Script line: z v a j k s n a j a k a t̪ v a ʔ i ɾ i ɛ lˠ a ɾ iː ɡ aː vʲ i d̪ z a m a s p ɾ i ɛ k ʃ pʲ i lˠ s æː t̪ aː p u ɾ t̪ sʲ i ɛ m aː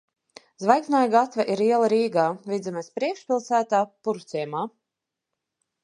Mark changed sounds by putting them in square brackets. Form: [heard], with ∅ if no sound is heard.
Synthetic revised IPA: z v a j k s n a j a [ɡ] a t̪ v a ʔ i ɾ i ɛ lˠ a ɾ iː ɡ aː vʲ i d̪ z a m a s p ɾ i ɛ k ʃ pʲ i lˠ s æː t̪ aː p u ɾ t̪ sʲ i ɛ m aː